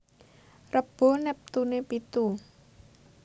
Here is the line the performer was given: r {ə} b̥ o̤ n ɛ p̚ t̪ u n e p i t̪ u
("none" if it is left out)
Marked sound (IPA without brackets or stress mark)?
ə